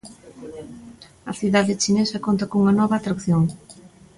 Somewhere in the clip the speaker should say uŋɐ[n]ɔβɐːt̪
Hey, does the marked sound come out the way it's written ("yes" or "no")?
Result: yes